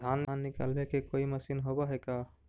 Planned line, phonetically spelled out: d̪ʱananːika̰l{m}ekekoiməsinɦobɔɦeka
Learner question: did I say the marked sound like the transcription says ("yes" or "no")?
no